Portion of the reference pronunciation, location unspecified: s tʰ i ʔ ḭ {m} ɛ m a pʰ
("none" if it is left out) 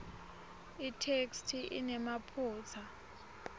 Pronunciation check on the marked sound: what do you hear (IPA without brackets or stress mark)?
n